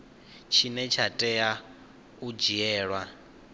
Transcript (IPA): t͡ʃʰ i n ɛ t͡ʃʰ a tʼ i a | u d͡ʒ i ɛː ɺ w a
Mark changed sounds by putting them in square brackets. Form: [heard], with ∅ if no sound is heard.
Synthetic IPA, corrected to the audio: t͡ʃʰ i n ɛ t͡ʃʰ a tʼ [ɛ] a | u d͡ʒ i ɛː ɺ w a